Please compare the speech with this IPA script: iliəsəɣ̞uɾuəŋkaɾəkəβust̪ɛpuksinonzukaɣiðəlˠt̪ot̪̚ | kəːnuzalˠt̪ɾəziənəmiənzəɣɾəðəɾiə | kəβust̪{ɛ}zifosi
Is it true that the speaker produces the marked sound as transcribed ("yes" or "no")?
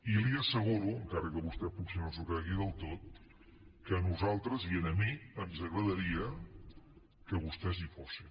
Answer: yes